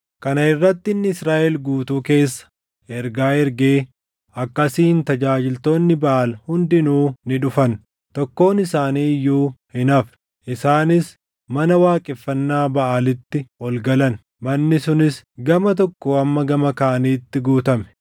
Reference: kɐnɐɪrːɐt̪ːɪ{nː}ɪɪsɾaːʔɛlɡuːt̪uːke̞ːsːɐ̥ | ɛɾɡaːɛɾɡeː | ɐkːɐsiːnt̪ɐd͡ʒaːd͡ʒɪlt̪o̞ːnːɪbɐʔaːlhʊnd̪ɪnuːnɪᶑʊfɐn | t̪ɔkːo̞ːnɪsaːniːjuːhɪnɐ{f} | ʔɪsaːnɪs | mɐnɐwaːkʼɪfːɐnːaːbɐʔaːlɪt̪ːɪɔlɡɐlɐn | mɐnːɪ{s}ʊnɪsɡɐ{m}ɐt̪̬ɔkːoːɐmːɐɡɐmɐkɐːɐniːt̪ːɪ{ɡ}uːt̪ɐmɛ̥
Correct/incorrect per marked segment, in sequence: correct, correct, correct, correct, correct

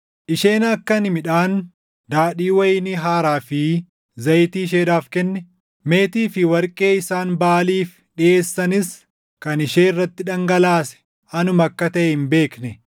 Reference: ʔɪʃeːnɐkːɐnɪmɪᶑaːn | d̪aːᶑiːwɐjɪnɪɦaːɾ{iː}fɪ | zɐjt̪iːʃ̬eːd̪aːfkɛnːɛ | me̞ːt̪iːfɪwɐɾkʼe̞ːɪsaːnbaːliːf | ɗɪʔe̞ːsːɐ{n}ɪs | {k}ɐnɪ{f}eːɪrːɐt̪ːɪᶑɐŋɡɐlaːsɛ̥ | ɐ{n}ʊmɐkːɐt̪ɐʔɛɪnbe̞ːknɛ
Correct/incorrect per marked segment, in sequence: incorrect: aː, correct, correct, incorrect: ʃ, correct

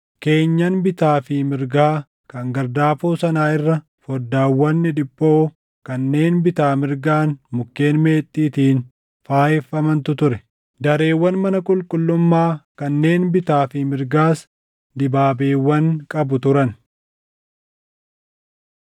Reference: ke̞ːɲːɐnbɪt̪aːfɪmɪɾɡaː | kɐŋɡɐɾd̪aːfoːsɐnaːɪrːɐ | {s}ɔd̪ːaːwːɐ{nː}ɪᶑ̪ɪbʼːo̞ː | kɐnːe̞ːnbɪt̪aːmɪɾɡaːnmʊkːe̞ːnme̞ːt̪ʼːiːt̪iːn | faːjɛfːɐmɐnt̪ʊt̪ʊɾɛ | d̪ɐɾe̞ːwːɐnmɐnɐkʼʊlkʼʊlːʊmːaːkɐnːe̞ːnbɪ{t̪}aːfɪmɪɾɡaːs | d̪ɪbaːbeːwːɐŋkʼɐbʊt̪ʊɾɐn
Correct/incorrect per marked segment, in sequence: incorrect: f, correct, correct

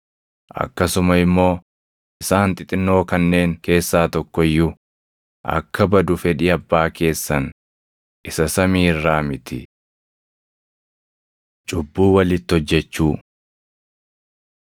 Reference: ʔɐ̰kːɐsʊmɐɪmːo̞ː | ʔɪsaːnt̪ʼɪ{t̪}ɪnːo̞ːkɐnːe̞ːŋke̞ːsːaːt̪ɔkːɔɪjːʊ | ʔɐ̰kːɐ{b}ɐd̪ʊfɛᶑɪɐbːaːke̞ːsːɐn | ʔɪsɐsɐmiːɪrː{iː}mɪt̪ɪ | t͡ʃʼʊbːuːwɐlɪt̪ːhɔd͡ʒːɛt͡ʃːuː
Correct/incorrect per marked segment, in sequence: incorrect: t̪ʼ, correct, incorrect: aː

